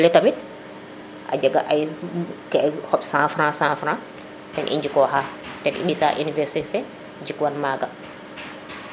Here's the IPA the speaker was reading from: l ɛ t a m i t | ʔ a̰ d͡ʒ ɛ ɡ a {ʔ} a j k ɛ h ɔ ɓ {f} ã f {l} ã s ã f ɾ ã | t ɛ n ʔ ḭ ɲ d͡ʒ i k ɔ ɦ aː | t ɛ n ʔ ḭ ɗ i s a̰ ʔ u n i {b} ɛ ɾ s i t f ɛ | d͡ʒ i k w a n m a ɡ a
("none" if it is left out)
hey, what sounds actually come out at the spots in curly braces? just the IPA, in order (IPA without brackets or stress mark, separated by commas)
ʔ, s, ɾ, v